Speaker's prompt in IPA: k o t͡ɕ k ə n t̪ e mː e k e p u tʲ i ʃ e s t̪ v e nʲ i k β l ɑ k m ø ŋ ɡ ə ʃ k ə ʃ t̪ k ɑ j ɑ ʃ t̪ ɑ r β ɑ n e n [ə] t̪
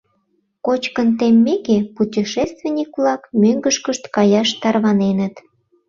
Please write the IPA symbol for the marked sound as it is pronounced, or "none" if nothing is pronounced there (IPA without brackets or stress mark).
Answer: ə